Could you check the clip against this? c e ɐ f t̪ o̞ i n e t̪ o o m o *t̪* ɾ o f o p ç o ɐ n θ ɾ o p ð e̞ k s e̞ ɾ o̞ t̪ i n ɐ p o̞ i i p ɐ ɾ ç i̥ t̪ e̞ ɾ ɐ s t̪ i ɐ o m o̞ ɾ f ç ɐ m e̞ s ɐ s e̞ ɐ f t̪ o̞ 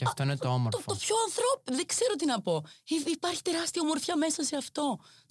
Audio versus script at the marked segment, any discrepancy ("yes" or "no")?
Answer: yes